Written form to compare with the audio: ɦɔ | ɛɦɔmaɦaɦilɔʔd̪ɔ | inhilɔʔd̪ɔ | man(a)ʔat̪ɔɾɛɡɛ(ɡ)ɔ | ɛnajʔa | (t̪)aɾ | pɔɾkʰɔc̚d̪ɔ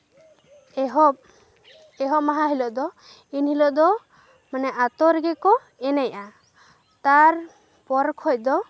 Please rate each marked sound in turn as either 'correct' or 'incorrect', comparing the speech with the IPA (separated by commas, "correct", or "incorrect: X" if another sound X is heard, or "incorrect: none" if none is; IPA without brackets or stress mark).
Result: incorrect: ɛ, incorrect: k, correct